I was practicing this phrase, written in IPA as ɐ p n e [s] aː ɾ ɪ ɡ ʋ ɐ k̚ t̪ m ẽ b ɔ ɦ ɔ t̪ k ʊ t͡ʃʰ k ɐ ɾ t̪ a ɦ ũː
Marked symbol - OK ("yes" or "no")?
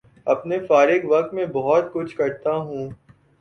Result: no